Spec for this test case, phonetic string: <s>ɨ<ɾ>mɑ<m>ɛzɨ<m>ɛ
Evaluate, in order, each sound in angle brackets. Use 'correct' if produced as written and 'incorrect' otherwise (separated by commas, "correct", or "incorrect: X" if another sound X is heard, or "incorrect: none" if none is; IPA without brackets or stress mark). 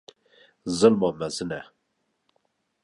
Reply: incorrect: z, incorrect: l, correct, incorrect: n